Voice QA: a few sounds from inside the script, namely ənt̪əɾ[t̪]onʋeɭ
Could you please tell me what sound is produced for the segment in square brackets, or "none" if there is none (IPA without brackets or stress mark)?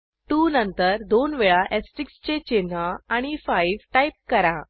d̪